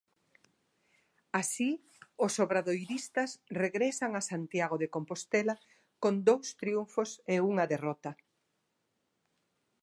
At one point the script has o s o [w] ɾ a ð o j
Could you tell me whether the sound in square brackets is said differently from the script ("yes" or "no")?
yes